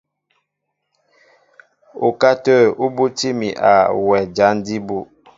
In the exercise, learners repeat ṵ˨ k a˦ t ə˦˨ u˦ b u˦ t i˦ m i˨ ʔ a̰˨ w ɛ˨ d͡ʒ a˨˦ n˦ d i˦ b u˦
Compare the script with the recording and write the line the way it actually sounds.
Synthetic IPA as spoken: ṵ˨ k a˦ t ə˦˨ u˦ b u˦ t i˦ m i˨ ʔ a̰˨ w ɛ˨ d͡ʒ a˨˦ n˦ d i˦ b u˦

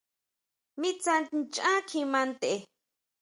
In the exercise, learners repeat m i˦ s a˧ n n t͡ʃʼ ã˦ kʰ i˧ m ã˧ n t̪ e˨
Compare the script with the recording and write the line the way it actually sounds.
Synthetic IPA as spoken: m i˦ t͡s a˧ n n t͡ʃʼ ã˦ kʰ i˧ m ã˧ n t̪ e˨

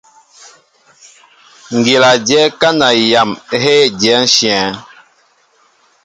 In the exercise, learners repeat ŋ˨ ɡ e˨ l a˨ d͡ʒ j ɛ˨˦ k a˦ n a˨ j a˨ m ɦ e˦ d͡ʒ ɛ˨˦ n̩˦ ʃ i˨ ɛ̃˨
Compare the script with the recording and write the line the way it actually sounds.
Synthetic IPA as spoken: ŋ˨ ɡ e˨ l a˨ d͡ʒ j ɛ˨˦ k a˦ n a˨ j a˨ m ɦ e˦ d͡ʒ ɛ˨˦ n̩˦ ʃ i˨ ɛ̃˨

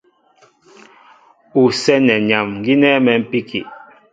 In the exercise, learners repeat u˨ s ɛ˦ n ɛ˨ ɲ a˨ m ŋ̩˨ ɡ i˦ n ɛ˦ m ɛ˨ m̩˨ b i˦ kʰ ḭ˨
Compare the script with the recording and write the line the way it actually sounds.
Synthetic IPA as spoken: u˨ s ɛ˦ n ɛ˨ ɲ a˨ m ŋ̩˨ ɡ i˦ n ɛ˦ m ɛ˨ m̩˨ p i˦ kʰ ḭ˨

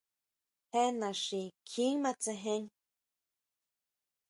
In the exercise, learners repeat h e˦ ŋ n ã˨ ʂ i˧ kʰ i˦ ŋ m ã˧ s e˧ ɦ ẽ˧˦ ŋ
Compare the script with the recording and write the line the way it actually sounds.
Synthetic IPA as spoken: h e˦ n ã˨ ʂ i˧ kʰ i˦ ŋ m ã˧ t͡s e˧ ɦ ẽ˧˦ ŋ

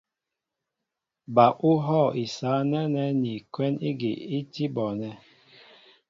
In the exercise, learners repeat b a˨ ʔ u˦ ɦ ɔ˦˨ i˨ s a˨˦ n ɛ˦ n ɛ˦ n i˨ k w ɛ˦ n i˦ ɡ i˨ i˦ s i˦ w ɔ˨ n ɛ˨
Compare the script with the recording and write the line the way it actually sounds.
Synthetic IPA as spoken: b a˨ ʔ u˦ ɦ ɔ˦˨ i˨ s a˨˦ n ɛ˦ n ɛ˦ n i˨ k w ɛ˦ n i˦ ɡ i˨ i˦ t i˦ b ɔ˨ n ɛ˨

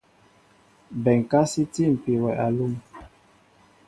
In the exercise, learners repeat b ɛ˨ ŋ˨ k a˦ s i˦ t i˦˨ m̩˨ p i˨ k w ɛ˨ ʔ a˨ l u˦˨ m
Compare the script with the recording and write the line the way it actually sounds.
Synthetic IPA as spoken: b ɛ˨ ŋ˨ k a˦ s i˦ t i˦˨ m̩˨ p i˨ w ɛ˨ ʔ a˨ l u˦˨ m

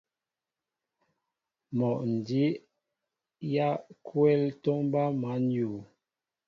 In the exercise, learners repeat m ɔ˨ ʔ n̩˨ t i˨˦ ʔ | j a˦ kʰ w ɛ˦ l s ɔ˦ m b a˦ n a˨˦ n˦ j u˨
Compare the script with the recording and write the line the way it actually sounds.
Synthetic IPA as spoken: m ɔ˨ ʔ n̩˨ d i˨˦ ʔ | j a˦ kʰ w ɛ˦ l t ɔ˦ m b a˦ m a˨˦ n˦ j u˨

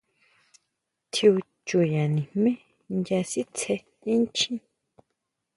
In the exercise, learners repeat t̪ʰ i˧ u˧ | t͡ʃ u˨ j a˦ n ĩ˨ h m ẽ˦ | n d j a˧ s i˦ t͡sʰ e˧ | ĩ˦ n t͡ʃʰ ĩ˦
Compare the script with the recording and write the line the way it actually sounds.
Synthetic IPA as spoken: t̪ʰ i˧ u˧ | t͡ʃ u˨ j a˨ n ĩ˨ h m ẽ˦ | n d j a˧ s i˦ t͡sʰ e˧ | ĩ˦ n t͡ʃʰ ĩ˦

